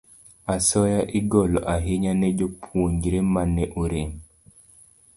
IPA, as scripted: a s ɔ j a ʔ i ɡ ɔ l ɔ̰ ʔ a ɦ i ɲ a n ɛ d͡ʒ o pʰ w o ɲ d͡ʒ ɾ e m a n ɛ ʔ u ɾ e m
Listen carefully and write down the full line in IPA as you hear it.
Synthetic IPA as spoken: a s ɔ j a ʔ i ɡ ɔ l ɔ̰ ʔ a ɦ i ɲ a n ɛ d͡ʒ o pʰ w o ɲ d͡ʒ ɾ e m a n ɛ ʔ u ɾ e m

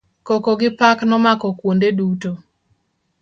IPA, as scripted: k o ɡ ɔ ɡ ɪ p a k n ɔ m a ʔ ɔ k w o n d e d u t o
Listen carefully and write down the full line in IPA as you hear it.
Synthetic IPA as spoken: k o k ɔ ɡ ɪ p a k n ɔ m a k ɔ k w o n d e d u t o

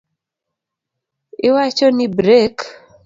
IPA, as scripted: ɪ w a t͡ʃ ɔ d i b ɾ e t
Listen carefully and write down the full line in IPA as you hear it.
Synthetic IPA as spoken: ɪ w a t͡ʃ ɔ n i b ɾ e k

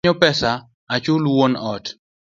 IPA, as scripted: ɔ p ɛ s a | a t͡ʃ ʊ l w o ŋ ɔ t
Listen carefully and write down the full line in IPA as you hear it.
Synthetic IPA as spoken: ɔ p ɛ s a | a t͡ʃ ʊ l w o n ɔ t

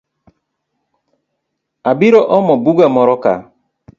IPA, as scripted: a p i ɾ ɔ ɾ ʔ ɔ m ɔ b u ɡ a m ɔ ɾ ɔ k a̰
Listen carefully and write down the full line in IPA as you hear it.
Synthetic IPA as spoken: a b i ɾ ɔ ʔ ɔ m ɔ b u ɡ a m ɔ ɾ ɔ k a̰

